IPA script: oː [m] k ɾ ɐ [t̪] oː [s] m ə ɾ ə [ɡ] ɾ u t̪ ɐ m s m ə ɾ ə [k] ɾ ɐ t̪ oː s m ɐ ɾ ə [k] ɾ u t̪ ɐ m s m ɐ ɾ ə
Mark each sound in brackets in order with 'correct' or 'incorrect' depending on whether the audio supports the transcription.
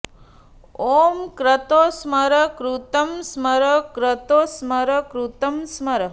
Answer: correct, correct, correct, incorrect, correct, correct

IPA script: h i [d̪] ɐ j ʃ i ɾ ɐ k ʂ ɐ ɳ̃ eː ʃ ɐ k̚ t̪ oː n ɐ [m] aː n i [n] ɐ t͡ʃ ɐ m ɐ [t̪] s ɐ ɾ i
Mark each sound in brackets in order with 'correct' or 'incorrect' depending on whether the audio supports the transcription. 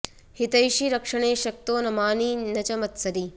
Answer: incorrect, correct, correct, correct

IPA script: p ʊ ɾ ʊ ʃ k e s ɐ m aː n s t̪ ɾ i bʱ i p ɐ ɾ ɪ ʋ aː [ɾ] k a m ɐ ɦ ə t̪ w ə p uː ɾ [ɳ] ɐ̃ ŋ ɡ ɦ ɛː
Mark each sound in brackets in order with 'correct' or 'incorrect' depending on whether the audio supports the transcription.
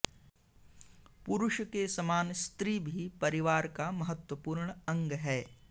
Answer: correct, correct

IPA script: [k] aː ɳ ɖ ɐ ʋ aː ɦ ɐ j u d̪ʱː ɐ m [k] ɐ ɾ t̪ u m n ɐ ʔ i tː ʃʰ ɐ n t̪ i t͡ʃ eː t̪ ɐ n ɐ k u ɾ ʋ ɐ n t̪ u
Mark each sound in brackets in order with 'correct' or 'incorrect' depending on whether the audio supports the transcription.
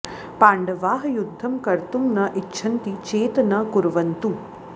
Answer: incorrect, correct

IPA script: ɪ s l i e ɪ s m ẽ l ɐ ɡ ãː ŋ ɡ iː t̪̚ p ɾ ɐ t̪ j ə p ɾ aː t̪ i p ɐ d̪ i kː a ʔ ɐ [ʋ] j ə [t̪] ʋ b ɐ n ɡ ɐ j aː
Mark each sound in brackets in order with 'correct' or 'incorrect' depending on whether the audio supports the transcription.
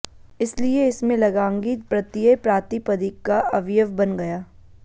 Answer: correct, incorrect

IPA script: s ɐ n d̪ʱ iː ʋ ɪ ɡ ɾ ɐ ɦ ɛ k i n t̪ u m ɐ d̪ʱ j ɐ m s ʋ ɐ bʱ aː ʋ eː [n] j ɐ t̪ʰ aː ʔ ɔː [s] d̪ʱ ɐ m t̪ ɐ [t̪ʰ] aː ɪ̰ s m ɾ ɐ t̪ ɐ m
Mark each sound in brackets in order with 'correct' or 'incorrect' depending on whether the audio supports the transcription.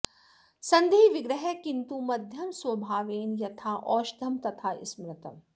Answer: correct, incorrect, correct

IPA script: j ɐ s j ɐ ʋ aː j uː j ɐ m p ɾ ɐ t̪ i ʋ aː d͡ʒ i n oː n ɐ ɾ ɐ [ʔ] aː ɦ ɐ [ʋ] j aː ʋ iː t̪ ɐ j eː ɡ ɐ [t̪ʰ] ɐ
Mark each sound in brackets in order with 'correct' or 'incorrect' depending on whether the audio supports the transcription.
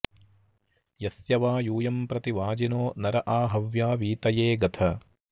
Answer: correct, correct, correct

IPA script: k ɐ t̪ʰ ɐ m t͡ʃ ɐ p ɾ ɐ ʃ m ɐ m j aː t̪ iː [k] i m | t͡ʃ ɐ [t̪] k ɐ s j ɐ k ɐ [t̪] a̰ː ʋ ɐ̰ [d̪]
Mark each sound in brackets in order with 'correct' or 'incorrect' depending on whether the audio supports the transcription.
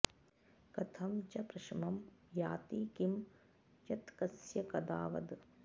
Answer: correct, correct, incorrect, correct

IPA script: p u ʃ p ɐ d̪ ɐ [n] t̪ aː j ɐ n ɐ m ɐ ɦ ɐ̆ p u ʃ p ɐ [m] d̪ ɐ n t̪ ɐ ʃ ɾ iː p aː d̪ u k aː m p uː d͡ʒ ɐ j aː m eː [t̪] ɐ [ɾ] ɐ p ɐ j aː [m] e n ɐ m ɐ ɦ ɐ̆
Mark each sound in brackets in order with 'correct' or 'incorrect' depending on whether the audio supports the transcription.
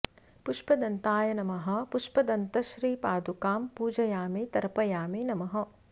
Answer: correct, incorrect, correct, correct, correct

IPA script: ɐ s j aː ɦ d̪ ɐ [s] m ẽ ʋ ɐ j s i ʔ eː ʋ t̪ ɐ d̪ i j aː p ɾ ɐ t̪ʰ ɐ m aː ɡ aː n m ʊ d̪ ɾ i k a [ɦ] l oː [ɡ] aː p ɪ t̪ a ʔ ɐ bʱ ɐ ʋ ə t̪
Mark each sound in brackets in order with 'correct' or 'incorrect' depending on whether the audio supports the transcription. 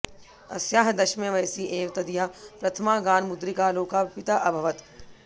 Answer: incorrect, incorrect, incorrect

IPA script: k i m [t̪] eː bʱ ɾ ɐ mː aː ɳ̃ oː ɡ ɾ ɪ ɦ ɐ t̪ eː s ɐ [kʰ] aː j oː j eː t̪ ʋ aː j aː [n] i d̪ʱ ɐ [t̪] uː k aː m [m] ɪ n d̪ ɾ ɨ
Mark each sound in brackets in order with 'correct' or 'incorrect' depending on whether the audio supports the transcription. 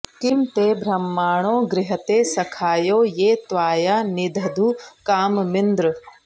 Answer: correct, correct, correct, incorrect, correct

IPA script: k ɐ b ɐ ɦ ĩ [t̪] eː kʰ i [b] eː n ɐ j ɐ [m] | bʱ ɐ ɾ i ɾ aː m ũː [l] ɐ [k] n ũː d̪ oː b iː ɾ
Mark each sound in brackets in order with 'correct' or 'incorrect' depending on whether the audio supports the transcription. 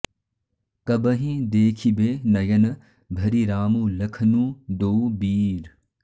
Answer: incorrect, correct, incorrect, correct, incorrect

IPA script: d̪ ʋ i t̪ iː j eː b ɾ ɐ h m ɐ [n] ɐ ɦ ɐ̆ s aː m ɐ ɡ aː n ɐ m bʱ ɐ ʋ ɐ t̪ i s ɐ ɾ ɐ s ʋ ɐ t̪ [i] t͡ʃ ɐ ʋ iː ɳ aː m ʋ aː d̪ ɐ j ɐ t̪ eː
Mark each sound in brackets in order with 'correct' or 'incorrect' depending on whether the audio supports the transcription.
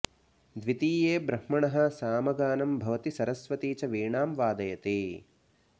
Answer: incorrect, incorrect

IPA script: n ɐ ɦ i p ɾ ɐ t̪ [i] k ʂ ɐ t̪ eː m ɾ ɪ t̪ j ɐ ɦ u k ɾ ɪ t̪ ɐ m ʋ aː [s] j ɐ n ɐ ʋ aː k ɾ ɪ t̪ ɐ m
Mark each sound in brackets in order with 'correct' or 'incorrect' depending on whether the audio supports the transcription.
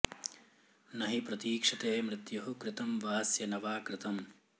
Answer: incorrect, correct

